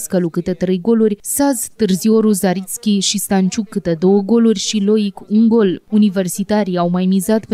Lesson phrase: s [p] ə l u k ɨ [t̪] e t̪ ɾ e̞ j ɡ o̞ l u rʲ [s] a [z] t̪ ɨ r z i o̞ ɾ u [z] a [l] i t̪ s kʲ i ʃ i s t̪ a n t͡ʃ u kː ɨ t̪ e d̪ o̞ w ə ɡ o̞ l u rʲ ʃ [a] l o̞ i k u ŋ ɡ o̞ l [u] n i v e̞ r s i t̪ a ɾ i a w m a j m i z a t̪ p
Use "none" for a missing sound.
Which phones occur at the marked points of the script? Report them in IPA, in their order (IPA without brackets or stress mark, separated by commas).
k, t̪, s, z, z, ɾ, i, u